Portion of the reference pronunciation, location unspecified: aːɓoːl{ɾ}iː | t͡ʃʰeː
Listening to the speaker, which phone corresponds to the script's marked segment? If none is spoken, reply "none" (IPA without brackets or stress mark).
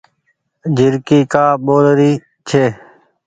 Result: ɾ